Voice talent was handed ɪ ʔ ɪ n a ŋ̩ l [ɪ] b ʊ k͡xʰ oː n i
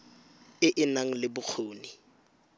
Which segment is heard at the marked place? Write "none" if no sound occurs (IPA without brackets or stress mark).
ɪ